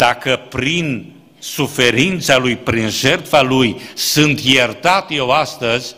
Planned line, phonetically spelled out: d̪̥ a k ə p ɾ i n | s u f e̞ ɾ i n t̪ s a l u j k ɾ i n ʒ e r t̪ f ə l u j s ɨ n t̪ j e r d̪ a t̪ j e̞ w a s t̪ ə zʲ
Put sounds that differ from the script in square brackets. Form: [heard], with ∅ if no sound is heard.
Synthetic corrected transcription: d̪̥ a k ə p ɾ i n | s u f e̞ ɾ i n t̪ s a l u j [p] ɾ i n ʒ e r t̪ f [a] l u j s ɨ n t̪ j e r [t̪] a t̪ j e̞ w a s t̪ ə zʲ